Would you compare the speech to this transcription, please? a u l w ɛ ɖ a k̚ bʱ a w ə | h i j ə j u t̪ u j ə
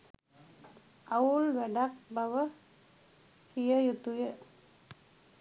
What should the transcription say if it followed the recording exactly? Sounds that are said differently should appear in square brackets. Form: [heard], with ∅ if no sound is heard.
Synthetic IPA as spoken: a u l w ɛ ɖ a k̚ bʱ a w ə | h i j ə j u t̪ u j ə